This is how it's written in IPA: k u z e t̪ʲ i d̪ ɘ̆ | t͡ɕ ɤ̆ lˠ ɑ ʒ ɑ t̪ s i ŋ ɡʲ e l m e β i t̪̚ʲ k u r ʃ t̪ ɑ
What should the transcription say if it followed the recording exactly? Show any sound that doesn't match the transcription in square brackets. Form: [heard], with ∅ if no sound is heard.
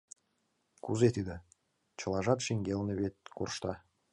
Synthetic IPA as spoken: k u z e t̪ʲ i d̪ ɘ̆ | t͡ɕ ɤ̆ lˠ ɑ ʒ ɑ t̪ [ʃ] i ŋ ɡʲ e l [n] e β [e] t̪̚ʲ k u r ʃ t̪ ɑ

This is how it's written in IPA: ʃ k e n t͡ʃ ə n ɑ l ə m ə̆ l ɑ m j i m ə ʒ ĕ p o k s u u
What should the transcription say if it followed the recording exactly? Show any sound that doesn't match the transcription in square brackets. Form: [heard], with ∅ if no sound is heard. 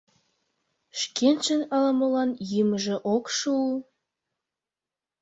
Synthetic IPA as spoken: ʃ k e n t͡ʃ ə n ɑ l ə m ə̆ l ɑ [n] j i m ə ʒ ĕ [ʔ] o k [ʃ] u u

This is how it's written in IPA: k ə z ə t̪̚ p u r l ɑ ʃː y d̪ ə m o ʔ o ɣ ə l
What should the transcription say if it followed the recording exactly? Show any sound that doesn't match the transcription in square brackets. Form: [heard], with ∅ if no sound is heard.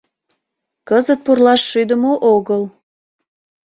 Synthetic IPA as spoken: k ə z ə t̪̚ p u r l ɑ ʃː y d̪ ə m o ʔ o ɣ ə l

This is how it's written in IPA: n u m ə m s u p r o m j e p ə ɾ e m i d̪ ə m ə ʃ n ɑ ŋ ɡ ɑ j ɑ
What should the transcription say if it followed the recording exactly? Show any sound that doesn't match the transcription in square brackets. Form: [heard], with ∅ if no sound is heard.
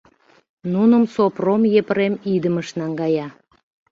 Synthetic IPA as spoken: n u [n] ə m s [o] p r o m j e p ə ɾ e m i d̪ ə m ə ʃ n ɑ ŋ ɡ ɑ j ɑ

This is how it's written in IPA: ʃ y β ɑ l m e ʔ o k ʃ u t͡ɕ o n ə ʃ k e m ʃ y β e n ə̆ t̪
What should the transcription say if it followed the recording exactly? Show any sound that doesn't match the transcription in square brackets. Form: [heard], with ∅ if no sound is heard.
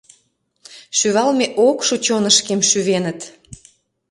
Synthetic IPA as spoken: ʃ y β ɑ l m e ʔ o k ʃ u t͡ɕ o n ə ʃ k e m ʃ y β e n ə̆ t̪

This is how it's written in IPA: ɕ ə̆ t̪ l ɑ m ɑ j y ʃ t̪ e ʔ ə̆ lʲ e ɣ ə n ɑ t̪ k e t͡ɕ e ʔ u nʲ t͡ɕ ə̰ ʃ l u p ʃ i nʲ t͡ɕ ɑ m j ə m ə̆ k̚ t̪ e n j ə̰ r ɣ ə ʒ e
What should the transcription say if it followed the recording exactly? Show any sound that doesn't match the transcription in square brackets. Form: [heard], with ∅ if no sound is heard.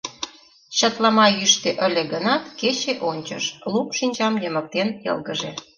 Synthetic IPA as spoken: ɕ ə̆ t̪ l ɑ m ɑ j y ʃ t̪ e ʔ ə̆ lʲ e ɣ ə n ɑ t̪ k e t͡ɕ e ʔ [o] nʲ t͡ɕ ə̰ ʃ l u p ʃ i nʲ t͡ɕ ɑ m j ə m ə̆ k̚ t̪ e n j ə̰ [l] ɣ ə ʒ e

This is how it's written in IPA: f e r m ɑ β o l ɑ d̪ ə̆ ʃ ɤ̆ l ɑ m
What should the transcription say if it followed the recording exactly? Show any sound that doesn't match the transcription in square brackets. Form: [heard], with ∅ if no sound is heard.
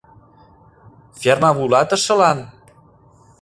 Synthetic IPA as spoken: f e r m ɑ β [u] l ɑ [t̪] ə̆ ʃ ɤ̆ l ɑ [n]

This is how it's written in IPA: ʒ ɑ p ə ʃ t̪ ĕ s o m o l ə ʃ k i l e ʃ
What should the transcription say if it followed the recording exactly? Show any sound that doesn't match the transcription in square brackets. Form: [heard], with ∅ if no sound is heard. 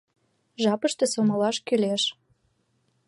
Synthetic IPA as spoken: ʒ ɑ p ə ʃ t̪ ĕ s o m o l [ɑ] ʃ k [y] l e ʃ

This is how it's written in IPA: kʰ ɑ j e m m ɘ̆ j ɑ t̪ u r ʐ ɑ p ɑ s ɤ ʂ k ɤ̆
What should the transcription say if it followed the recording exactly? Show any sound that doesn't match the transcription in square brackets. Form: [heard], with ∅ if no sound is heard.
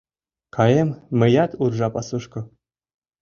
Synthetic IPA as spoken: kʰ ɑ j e m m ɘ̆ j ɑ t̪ u r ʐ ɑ p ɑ s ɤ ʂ k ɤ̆

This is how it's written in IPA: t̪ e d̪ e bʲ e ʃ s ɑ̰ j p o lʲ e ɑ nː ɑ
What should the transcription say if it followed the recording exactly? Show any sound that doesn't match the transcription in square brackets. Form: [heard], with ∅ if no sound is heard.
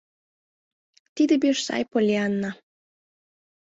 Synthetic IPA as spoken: t̪ [i] d̪ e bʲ e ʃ s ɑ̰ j p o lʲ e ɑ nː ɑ

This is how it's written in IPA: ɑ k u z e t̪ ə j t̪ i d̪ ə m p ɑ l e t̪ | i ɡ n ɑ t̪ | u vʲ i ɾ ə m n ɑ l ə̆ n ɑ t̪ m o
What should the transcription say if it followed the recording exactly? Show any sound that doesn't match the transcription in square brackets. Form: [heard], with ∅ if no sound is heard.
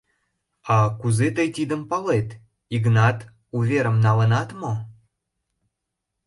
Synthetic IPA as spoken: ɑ k u z e t̪ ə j t̪ i d̪ ə m p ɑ l e t̪ | i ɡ n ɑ t̪ | u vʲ [e] ɾ ə m n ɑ l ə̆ n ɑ t̪ m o

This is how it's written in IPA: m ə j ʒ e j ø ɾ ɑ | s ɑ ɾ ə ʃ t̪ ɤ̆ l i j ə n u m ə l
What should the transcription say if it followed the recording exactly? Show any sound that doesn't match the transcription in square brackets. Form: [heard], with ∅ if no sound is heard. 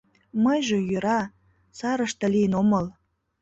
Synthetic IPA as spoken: m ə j ʒ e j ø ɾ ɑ | s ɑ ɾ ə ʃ t̪ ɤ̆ l i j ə n [o] m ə l

